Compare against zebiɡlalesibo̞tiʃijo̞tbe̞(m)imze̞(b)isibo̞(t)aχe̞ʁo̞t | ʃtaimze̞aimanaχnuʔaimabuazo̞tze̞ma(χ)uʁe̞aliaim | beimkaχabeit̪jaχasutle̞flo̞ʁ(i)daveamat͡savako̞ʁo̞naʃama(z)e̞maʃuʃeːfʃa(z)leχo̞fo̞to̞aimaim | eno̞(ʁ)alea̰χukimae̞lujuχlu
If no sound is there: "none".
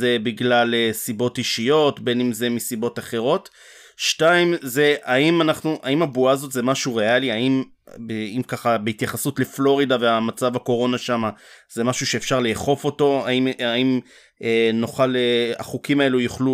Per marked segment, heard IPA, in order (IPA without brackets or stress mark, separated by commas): n, m, t, ʃ, i, z, ʁ, χ